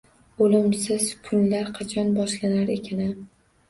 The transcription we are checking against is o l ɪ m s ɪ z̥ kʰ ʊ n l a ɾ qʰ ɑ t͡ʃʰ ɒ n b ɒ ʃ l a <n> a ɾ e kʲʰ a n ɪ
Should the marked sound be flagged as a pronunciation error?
no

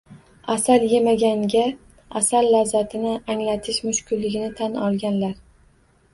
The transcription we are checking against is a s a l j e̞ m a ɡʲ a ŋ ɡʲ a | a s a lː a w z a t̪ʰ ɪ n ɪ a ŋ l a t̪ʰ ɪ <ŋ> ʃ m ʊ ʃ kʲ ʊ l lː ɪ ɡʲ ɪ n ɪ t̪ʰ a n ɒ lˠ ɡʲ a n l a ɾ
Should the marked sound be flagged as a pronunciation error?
yes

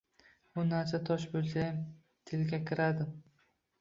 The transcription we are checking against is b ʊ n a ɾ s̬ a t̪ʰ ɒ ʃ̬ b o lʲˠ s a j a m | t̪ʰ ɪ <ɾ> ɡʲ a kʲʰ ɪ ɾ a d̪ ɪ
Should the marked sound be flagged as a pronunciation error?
yes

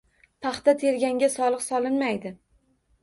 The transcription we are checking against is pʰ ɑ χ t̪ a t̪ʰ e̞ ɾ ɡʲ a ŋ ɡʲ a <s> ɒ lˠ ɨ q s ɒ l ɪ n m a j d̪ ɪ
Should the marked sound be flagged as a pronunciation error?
no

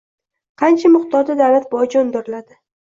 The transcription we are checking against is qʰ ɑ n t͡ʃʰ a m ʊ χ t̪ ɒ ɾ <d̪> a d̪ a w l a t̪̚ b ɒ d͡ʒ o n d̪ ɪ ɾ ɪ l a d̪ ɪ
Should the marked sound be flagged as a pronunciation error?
no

